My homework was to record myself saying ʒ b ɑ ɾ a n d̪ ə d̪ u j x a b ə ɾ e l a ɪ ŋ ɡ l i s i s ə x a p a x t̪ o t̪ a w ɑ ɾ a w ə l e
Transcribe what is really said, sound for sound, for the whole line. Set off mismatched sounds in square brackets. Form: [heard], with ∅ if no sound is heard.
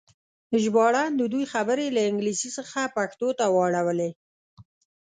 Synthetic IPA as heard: ʒ b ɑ [ɽ] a n d̪ ə d̪ u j x a b ə ɾ e l a ɪ ŋ ɡ l i s i s ə x a p a x t̪ o t̪ a w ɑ [ɽ] a w ə l e